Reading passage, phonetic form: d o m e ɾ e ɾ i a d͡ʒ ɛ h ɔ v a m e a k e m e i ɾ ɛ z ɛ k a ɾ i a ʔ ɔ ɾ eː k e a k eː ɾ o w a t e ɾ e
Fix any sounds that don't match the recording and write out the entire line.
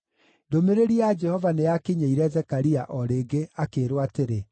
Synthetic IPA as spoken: d o m e ɾ e ɾ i a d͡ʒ ɛ h ɔ v a n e a k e ɲ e i ɾ ɛ z ɛ k a ɾ i a ʔ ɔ ɾ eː ɡ e a k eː ɾ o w a t e ɾ e